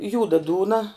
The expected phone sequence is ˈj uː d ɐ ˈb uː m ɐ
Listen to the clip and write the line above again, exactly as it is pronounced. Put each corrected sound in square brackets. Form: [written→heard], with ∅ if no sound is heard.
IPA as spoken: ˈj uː d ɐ [ˈb→ˈd] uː [m→n] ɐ